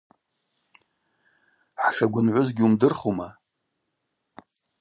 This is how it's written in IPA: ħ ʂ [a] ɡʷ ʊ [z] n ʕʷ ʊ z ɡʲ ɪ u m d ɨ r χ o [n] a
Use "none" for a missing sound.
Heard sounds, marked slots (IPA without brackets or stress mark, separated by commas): a, none, m